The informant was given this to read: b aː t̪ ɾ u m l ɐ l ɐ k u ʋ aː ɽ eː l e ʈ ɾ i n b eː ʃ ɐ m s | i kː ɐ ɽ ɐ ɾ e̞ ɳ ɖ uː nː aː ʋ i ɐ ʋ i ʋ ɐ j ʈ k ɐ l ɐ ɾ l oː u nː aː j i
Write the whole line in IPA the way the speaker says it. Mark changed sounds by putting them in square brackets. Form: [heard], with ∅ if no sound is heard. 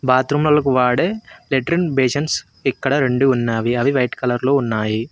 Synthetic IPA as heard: b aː t̪ ɾ u m l ɐ l ɐ k u ʋ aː ɽ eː l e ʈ ɾ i n b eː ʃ ɐ [n] s | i kː ɐ ɽ ɐ ɾ e̞ ɳ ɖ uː nː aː ʋ i ɐ ʋ i ʋ ɐ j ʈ k ɐ l ɐ ɾ l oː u nː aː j i